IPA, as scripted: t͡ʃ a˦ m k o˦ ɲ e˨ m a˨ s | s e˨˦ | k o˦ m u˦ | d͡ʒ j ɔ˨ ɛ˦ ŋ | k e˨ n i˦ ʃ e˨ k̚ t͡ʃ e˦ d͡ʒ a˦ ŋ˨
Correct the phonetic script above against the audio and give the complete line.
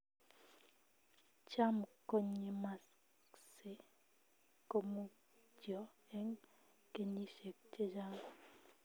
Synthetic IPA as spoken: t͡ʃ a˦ m k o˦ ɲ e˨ m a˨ s | s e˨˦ | k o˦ m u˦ | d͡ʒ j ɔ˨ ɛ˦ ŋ | k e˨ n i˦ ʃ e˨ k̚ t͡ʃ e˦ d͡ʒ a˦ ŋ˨